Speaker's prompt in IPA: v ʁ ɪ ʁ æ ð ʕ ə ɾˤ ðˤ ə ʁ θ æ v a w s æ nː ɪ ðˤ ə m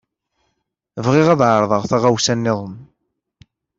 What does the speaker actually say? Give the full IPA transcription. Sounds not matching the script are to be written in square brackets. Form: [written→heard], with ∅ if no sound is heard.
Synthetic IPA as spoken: v ʁ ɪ ʁ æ ð ʕ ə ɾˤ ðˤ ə ʁ θ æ [v→ʁ] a w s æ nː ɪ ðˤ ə m